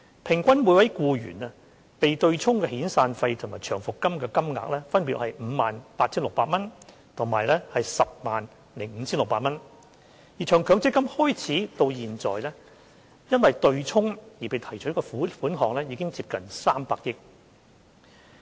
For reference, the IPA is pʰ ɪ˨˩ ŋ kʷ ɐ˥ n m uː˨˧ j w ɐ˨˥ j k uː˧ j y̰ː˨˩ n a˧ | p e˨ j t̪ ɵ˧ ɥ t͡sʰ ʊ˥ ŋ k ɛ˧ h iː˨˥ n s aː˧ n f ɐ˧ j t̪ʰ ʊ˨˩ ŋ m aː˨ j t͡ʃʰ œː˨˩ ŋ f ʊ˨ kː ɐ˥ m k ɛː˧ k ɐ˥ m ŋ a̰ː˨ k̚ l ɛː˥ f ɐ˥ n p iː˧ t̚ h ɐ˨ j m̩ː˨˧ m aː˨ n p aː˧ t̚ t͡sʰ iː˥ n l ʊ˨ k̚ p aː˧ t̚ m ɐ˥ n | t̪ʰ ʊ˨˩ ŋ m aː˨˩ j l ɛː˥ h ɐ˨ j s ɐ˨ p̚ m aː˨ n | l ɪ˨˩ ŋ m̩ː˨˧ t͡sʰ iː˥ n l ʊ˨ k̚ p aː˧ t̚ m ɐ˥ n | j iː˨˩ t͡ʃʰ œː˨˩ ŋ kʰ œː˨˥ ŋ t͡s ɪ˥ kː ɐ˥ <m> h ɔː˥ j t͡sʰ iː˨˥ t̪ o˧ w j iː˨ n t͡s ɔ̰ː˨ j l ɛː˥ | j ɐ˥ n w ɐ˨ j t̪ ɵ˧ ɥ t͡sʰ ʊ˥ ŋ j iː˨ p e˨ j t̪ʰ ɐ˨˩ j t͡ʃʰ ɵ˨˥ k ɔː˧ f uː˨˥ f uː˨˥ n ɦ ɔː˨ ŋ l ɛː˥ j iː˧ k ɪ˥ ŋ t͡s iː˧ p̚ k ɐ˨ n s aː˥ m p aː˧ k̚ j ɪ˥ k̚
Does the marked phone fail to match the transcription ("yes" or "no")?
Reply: no